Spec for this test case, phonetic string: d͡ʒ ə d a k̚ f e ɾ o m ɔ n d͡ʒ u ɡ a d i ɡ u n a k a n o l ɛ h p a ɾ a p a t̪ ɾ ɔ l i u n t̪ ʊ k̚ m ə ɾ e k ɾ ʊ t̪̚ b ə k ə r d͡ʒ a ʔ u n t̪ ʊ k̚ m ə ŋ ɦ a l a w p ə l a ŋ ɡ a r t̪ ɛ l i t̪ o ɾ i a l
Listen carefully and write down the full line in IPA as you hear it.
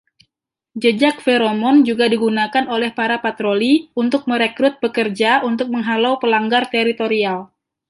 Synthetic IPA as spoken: d͡ʒ ə d͡ʒ a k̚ f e ɾ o m ɔ n d͡ʒ u ɡ a d i ɡ u n a k a n o l ɛ h p a ɾ a p a t̪ ɾ o l i u n t̪ ʊ k̚ m ə ɾ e k ɾ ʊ t̪̚ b ə k ə r d͡ʒ a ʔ u n t̪ ʊ k̚ m ə ŋ ɦ a l a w p ə l a ŋ ɡ a r t̪ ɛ ɾ i t̪ o ɾ i a l